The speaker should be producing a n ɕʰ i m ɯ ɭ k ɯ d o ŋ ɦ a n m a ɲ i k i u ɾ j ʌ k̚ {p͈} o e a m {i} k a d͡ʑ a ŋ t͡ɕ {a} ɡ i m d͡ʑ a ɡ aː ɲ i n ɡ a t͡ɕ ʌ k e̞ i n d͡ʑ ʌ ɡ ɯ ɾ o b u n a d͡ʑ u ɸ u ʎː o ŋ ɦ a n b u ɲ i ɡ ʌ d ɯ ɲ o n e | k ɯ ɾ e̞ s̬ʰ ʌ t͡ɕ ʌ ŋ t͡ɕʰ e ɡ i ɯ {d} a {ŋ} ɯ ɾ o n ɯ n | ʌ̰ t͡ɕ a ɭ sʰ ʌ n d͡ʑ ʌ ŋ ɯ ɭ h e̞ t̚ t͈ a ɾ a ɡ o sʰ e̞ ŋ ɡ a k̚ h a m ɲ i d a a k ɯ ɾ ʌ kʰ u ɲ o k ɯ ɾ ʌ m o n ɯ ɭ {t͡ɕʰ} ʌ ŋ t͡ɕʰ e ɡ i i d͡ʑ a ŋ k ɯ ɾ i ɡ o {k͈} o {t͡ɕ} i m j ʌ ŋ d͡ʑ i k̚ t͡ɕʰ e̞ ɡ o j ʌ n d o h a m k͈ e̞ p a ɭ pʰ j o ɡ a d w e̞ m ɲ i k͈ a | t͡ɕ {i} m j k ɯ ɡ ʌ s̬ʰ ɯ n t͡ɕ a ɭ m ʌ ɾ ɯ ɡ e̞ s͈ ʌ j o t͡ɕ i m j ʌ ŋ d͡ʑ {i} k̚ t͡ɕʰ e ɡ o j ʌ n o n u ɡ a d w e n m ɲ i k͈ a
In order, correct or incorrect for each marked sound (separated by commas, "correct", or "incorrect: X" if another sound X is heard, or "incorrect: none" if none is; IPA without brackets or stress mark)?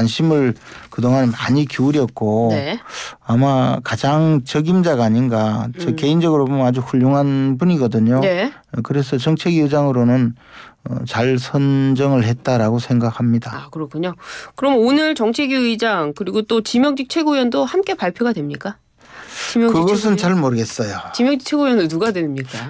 incorrect: k͈, incorrect: a, incorrect: ʌ, incorrect: d͡ʑ, correct, incorrect: t͡ɕ, incorrect: t͈, correct, correct, correct